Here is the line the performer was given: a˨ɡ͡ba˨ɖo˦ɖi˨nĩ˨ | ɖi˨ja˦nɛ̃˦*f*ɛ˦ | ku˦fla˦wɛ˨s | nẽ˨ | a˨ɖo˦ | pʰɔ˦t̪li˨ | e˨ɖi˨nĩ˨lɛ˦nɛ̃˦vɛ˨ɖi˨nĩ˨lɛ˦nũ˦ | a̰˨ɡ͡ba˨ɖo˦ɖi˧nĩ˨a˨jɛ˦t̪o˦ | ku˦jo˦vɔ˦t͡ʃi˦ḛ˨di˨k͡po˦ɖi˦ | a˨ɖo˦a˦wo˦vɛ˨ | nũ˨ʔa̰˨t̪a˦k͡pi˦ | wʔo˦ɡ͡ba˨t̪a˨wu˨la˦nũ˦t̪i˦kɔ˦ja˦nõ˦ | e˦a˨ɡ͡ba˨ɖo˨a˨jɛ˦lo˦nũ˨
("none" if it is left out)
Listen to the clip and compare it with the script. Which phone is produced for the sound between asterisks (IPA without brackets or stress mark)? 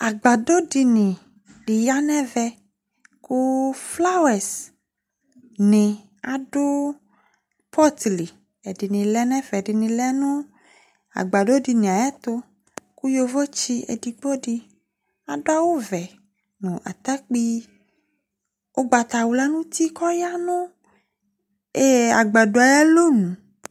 v